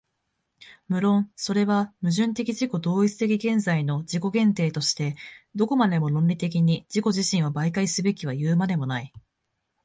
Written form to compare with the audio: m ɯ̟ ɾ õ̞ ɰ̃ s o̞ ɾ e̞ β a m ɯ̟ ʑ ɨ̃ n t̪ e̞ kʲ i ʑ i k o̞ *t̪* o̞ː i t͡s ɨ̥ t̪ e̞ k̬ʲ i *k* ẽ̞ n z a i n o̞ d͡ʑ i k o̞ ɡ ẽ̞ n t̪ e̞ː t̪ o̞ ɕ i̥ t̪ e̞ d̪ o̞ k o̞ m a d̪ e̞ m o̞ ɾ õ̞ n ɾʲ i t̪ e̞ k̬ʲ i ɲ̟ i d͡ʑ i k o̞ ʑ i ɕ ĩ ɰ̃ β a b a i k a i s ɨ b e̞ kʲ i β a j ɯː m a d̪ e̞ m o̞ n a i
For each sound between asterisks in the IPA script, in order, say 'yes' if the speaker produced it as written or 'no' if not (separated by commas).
no, no